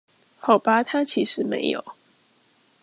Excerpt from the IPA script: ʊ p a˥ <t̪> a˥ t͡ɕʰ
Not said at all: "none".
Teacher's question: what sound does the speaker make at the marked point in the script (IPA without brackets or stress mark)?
t̪ʰ